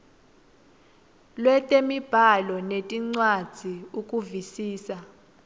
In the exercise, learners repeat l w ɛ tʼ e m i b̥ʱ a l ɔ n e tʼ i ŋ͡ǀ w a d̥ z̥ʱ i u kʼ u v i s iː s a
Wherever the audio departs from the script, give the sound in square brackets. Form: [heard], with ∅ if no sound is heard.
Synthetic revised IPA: l w ɛ tʼ e m i b̥ʱ a l ɔ n e tʼ i ŋ͡ǀ w a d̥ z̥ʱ i u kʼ u v i s iː s a